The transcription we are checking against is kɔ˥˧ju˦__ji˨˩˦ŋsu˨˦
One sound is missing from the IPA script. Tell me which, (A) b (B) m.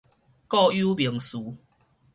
A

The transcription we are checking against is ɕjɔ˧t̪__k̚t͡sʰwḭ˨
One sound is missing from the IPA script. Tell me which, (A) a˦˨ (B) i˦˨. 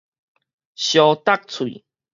A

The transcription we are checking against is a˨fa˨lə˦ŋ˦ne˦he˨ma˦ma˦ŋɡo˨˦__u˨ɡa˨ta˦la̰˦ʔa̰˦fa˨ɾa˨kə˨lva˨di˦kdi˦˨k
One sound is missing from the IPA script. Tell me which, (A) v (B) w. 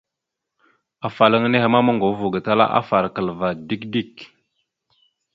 A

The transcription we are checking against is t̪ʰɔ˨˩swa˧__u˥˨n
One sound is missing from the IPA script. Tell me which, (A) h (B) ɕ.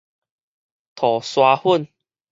A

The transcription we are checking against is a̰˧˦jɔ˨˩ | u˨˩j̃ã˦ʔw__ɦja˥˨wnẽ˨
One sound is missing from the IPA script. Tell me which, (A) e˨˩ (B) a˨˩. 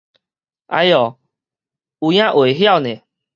A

